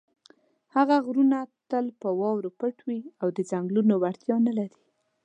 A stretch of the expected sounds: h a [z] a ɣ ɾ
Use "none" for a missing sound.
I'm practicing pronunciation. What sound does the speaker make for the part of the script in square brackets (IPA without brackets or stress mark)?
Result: ɣ